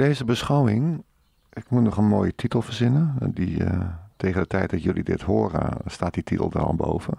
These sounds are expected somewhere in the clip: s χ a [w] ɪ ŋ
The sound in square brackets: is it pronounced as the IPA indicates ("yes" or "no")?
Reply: yes